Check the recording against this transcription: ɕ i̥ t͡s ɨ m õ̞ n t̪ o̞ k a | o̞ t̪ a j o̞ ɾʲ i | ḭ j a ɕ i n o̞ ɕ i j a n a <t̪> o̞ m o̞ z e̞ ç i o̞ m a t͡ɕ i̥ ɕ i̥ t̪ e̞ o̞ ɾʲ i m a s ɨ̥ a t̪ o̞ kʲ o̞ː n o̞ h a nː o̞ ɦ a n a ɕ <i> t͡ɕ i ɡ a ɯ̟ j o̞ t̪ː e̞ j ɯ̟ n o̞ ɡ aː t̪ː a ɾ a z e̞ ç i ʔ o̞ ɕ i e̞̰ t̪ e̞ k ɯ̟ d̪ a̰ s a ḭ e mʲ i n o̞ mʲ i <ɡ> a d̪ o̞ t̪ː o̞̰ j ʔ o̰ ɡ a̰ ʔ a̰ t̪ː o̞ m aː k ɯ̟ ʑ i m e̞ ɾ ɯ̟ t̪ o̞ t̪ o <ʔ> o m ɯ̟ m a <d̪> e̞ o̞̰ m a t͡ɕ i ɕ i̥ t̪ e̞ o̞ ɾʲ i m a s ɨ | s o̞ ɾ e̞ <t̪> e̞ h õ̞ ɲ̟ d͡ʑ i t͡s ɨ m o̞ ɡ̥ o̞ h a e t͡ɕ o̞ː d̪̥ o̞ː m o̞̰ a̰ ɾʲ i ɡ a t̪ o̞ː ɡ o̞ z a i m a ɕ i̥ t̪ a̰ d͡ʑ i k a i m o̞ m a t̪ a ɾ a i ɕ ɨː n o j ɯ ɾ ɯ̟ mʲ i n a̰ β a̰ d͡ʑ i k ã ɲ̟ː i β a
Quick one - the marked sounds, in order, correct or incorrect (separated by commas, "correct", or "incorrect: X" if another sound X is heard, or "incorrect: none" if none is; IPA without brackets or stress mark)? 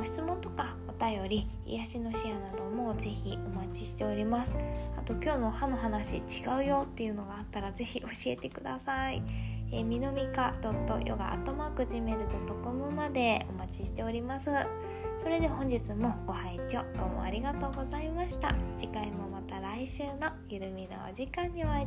incorrect: d̪, correct, incorrect: k, incorrect: k, correct, incorrect: d̪